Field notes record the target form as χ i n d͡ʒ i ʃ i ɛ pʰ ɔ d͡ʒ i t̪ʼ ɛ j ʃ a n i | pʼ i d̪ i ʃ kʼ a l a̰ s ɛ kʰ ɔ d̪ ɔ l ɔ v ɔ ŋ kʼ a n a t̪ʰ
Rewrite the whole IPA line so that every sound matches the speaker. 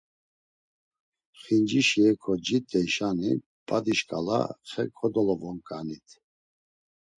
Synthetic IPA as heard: χ i n d͡ʒ i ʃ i ɛ kʰ ɔ d͡ʒ i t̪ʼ ɛ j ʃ a n i | pʼ a d̪ i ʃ kʼ a l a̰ χ ɛ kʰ ɔ d̪ ɔ l ɔ v ɔ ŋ kʼ a n i t̪ʰ